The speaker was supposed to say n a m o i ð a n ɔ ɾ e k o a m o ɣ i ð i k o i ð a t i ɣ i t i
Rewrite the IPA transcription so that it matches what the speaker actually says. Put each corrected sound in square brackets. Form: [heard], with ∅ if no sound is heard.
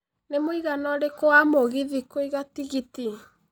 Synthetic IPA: n [e] m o i [ɣ] a n ɔ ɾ e k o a m o ɣ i ð i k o i [ɣ] a t i ɣ i t i